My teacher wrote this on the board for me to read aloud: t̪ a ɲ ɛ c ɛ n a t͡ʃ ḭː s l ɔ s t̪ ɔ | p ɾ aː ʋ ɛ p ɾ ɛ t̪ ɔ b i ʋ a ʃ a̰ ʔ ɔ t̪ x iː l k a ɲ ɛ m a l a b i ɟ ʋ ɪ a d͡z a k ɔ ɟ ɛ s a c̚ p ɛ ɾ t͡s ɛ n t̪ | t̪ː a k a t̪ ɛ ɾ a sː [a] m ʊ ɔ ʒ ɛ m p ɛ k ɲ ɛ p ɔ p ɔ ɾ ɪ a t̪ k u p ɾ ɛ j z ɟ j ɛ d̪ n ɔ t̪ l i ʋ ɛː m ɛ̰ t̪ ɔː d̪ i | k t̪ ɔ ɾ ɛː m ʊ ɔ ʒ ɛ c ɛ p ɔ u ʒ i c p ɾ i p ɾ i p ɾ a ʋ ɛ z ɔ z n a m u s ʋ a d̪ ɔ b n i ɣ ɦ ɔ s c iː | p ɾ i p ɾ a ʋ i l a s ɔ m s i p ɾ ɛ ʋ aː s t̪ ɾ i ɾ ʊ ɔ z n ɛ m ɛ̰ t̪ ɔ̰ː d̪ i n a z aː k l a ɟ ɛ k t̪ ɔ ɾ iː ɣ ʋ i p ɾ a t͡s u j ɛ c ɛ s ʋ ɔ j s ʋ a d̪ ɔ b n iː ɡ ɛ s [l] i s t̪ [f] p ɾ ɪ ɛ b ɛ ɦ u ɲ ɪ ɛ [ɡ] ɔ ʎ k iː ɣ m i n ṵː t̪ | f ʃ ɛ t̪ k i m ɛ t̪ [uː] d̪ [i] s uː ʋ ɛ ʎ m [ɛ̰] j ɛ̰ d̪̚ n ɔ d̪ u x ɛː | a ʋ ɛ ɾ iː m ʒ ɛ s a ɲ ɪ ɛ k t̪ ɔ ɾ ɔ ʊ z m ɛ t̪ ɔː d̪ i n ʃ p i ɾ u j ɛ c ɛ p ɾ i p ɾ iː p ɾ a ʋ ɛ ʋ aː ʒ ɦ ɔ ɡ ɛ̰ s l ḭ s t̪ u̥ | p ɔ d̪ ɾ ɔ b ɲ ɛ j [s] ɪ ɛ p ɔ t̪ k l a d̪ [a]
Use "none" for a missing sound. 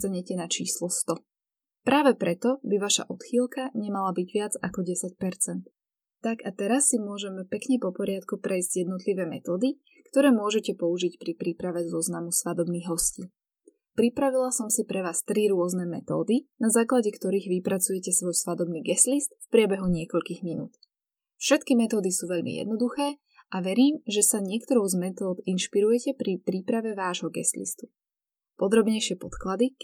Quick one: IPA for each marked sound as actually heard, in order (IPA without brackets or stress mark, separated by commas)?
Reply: i, l, f, k, ɔː, i, ḭ, ʃ, i